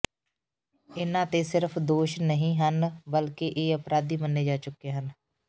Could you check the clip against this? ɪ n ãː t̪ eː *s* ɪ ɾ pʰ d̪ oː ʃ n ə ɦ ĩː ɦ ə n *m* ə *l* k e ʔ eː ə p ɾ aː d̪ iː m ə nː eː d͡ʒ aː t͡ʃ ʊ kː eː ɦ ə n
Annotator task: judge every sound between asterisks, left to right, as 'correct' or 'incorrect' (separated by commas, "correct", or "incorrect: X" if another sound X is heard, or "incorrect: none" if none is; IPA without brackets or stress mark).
correct, incorrect: b, correct